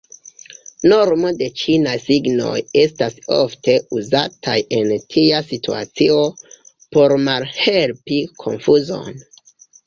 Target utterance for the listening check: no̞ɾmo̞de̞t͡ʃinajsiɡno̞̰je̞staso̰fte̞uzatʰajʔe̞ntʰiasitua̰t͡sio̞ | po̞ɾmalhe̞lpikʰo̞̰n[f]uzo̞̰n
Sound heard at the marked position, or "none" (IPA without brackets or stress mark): f